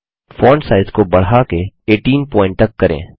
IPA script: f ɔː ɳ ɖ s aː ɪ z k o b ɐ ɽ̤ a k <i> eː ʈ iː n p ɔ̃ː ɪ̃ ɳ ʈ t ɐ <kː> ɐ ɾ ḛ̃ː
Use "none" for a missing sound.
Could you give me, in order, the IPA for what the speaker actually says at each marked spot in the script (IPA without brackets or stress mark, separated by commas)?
e, kː